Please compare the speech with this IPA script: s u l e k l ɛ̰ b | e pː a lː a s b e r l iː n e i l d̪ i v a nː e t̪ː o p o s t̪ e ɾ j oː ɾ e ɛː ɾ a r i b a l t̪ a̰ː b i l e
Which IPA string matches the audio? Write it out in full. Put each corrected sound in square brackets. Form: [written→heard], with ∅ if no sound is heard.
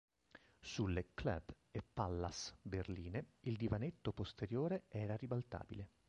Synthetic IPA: s u l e k l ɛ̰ b | e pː a lː a s b e r l iː n e i l d̪ i v a [nː→n] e t̪ː o p o s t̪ e ɾ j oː ɾ e ɛː ɾ a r i b a l t̪ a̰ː b i l e